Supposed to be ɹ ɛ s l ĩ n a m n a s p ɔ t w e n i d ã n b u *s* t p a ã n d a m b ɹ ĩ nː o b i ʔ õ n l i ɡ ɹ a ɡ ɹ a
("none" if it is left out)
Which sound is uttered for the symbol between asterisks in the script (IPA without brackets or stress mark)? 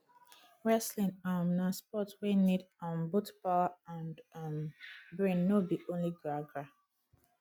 none